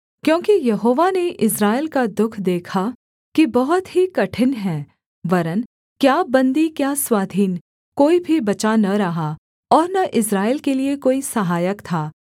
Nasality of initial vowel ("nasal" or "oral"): nasal